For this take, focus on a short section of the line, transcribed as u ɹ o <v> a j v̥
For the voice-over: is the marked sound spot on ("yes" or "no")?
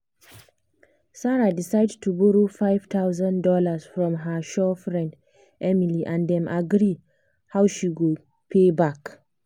no